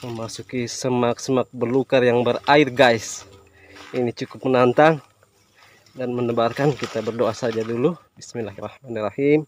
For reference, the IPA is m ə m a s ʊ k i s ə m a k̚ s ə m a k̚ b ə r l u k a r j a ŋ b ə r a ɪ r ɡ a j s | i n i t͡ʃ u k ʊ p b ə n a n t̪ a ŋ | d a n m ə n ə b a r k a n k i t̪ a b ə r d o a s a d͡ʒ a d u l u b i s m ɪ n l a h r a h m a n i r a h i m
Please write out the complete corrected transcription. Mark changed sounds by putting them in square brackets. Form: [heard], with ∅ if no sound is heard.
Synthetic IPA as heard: m ə m a s [u] k i s ə m a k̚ s ə m a k̚ b ə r l u k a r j a ŋ b ə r a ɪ r ɡ a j s | i n i t͡ʃ u k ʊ p [m] ə n a n t̪ a ŋ | d a n m ə n ə b a r k a n k i t̪ a b ə r d o a s a d͡ʒ a d u l u b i s m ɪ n l a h r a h m a n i r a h i m